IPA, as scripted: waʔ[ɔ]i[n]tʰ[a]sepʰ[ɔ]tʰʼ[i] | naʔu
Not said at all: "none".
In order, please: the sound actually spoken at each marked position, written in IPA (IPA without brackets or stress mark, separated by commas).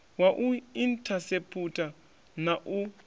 u, n, a, u, a